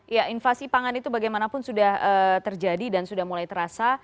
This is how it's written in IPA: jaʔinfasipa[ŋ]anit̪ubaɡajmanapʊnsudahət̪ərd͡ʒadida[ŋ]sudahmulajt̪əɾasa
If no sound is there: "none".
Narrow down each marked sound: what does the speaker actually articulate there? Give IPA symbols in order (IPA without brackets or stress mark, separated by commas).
ŋ, n